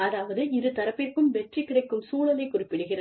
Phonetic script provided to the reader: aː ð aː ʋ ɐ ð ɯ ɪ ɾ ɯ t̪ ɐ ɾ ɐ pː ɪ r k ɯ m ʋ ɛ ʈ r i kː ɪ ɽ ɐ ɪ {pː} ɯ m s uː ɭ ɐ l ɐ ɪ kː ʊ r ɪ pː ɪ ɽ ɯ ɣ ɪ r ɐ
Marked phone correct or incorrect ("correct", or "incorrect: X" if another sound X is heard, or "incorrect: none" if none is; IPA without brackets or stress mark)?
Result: incorrect: kː